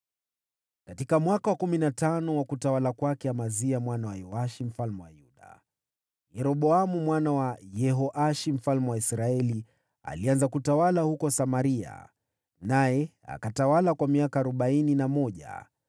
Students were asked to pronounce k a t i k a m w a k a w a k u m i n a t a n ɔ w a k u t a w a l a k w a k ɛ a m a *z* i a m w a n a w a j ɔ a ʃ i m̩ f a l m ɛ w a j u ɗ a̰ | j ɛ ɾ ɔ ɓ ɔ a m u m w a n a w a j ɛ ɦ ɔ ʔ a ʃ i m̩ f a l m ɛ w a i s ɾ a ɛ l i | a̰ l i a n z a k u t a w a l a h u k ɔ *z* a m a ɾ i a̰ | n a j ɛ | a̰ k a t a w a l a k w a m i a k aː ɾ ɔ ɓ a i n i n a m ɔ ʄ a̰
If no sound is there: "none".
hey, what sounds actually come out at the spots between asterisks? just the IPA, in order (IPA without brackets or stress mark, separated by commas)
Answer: z, s